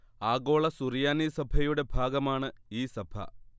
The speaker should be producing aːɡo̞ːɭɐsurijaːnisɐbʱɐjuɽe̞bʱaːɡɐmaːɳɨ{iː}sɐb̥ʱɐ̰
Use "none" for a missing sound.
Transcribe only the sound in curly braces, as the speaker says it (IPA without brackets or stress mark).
iː